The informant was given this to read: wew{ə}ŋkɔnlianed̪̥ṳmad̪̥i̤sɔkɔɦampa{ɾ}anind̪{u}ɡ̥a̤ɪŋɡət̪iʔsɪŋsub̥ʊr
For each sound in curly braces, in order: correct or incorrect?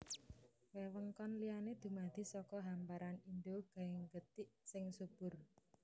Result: correct, correct, incorrect: o

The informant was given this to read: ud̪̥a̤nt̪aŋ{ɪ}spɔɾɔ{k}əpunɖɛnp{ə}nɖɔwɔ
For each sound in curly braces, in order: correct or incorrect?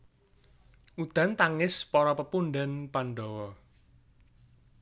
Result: correct, incorrect: p, incorrect: a

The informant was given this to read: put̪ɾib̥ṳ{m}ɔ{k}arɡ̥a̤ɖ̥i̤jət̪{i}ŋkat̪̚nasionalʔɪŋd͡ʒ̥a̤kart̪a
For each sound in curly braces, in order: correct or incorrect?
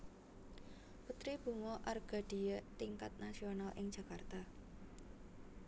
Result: incorrect: ŋ, incorrect: ʔ, correct

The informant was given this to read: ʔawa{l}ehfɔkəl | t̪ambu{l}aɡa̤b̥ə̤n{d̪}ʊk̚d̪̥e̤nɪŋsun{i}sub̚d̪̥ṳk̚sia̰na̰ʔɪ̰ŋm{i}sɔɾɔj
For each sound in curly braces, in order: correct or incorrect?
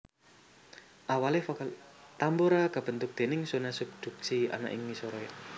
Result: correct, incorrect: ɾ, incorrect: t̪, incorrect: a, correct

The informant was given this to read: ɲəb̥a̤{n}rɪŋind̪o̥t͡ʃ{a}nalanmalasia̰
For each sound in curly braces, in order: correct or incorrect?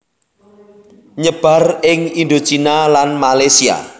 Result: incorrect: none, incorrect: i

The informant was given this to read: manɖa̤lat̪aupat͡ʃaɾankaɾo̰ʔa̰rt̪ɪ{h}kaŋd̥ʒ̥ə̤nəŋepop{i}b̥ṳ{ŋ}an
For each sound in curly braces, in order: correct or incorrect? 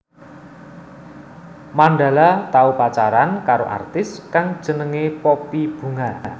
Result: incorrect: s, correct, correct

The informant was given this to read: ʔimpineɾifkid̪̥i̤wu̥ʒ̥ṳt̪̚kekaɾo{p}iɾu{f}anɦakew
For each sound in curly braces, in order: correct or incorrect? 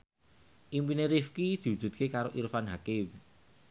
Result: incorrect: ʔ, correct

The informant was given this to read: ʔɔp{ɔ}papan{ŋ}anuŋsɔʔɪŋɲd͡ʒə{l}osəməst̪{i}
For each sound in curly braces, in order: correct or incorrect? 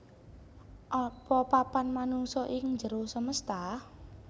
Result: correct, incorrect: m, incorrect: ɾ, incorrect: a

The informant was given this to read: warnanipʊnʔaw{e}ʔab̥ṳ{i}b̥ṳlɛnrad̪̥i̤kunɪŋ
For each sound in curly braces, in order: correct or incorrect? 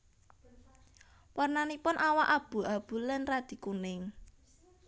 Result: incorrect: a, incorrect: a

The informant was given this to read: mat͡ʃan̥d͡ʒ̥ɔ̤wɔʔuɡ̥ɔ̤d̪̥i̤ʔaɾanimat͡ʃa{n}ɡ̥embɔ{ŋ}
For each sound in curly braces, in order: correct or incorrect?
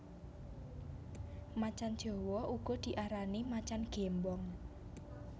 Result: correct, correct

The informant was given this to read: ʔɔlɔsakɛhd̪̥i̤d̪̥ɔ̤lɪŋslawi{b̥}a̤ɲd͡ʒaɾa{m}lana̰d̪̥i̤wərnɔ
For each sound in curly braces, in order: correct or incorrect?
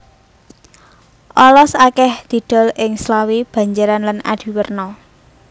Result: correct, incorrect: n

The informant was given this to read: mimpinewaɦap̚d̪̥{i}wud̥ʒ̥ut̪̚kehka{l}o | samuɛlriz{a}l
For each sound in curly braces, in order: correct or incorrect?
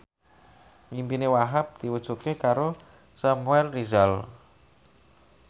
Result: correct, incorrect: ɾ, correct

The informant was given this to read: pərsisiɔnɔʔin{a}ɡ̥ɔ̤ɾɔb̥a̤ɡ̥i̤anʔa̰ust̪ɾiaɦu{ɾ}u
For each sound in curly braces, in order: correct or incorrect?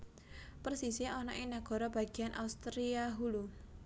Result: correct, incorrect: l

